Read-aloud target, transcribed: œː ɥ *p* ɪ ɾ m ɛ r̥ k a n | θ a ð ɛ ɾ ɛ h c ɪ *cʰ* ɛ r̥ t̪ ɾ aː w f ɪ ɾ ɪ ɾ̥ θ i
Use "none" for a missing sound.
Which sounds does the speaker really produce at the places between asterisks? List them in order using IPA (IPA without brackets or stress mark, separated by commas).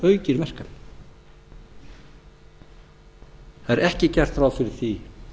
c, c